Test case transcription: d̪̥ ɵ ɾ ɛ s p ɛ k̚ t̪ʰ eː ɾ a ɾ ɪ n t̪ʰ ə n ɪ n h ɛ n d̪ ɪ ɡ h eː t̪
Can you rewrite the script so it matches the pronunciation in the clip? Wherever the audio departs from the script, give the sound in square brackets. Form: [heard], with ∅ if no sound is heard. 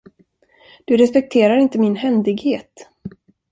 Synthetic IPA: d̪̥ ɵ ɾ ɛ s p ɛ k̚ t̪ʰ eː ɾ a ɾ ɪ n [t̪] ə [m] ɪ n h ɛ n d̪ ɪ ɡ h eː t̪